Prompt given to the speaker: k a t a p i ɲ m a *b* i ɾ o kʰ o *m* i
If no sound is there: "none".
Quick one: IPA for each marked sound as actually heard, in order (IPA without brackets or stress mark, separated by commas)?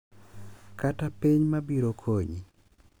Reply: b, ɲ